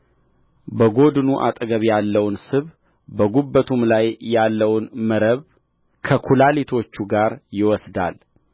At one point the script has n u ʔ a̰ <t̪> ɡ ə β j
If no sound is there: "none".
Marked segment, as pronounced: t̪ʼ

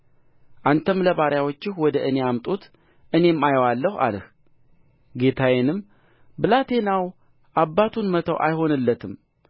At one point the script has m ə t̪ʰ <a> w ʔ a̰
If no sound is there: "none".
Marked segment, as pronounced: ə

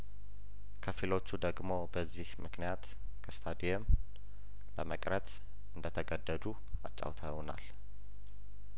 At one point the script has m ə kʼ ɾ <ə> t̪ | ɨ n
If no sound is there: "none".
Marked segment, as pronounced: ə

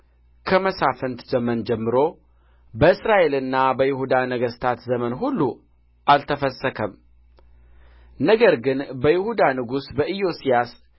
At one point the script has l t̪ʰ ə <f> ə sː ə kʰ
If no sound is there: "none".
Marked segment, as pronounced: f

